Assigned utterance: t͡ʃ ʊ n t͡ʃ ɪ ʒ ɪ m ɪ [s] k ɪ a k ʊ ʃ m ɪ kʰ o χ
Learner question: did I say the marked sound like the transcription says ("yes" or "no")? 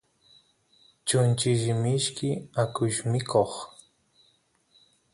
no